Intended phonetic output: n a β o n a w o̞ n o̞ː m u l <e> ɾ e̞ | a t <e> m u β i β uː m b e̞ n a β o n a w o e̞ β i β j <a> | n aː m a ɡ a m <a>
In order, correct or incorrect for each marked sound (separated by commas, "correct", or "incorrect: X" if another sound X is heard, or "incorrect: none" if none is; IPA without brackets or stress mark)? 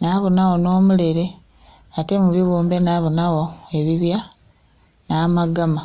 correct, correct, correct, correct